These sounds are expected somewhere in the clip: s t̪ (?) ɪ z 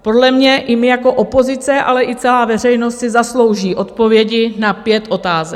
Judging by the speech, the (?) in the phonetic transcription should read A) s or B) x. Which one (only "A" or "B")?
A